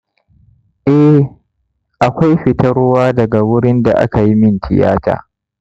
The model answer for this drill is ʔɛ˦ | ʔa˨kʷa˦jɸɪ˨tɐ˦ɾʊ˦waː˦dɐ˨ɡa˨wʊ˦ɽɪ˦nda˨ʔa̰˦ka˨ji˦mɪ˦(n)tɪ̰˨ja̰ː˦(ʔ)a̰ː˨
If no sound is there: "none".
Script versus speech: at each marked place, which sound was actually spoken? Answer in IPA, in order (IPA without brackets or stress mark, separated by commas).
n, t